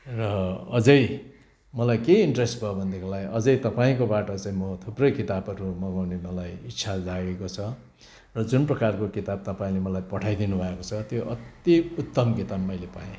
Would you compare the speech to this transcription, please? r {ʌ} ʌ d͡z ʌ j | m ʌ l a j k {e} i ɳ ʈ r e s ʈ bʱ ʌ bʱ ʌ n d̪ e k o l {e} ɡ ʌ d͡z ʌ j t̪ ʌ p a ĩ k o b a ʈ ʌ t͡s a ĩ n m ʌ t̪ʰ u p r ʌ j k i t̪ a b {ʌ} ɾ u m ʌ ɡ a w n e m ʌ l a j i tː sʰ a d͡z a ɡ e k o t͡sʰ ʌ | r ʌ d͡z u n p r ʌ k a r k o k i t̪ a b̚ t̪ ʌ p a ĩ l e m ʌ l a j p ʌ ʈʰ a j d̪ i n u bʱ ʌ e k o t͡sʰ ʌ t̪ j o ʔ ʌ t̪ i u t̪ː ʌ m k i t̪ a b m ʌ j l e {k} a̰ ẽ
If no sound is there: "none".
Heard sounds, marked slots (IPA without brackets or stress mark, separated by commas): ʌ, e, a, ʌ, p